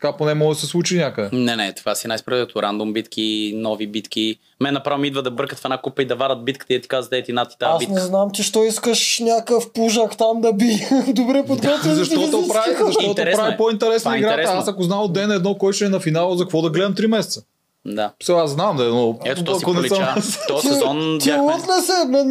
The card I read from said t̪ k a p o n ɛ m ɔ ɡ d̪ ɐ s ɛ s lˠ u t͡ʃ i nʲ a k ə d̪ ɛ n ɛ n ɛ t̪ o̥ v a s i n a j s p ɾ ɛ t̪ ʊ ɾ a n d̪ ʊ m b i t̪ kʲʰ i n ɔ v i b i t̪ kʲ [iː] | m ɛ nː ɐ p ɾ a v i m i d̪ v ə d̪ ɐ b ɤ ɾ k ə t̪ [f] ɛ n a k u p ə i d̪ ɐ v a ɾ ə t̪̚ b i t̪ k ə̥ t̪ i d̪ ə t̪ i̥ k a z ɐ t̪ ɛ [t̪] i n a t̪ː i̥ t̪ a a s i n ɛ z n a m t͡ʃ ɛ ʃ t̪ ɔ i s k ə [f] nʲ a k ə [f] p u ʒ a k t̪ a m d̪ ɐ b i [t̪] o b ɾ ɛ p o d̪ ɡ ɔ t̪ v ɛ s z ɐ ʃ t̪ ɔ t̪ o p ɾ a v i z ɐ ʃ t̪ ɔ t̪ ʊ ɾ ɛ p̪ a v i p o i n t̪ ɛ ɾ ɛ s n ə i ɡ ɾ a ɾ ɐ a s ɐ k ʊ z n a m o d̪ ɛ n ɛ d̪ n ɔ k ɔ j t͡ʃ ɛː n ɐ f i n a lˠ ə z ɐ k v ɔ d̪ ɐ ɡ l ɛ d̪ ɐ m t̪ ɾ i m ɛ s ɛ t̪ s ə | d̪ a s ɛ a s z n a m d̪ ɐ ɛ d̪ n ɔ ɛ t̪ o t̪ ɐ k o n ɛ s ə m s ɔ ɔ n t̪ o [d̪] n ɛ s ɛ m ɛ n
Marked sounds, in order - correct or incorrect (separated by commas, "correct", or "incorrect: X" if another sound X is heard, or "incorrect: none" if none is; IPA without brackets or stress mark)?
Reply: incorrect: i, correct, correct, incorrect: ʃ, correct, incorrect: d̪, incorrect: t̪